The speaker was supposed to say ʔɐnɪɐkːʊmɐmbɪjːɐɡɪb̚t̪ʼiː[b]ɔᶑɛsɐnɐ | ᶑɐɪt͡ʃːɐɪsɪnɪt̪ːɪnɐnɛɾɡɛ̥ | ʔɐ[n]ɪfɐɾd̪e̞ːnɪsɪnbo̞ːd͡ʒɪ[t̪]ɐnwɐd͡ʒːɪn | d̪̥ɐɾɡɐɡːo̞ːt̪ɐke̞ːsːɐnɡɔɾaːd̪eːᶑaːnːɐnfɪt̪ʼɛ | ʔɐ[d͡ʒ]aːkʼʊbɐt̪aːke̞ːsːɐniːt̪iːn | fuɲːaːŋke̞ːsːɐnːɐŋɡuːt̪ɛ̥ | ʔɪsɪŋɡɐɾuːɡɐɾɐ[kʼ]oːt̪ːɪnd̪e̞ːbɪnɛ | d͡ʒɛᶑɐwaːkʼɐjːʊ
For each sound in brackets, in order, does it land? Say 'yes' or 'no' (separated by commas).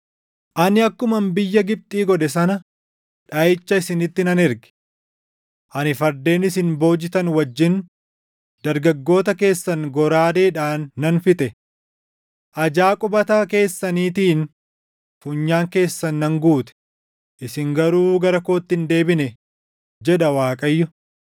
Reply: no, yes, yes, yes, no